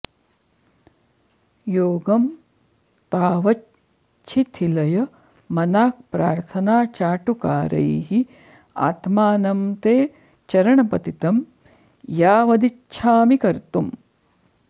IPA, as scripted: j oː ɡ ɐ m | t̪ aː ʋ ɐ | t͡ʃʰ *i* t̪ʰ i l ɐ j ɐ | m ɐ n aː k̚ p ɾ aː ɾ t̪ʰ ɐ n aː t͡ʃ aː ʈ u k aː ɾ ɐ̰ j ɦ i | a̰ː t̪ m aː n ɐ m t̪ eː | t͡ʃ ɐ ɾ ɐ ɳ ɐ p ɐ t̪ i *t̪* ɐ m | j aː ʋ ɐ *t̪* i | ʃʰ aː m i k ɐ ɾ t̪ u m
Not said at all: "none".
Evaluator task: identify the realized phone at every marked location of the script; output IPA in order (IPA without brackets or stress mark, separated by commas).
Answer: i, t̪, d̪